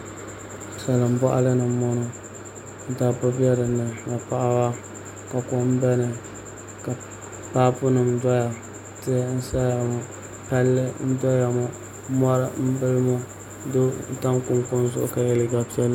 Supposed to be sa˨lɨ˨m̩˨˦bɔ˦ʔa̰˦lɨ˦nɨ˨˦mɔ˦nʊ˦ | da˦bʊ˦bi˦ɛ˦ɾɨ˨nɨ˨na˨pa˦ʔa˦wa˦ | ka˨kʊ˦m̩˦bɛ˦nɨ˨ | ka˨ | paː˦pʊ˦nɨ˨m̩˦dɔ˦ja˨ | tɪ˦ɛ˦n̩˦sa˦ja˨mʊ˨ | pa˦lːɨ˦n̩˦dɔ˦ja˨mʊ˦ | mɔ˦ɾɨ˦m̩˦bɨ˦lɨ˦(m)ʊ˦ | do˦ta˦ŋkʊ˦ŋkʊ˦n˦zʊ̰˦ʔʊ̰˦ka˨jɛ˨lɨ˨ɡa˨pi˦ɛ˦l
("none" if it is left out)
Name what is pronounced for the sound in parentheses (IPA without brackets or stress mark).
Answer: m